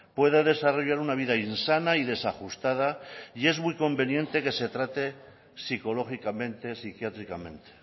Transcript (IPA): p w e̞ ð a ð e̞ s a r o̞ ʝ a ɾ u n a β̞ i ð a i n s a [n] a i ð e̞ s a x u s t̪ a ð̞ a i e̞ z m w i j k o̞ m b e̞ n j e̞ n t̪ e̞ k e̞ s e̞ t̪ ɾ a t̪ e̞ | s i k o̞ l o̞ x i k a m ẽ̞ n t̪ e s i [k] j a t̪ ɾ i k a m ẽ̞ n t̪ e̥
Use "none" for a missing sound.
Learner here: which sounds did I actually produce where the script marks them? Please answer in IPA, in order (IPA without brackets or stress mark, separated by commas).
n, k